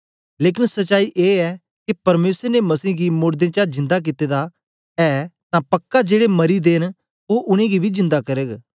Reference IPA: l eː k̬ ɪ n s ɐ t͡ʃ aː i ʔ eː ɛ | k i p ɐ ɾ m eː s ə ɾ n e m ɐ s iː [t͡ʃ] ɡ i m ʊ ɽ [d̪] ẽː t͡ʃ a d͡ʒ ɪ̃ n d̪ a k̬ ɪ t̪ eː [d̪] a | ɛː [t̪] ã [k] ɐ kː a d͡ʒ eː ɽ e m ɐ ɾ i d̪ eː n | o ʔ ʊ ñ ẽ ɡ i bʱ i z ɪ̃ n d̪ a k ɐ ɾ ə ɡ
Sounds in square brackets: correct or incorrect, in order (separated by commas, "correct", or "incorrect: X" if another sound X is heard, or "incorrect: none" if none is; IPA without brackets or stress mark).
incorrect: none, correct, correct, correct, incorrect: p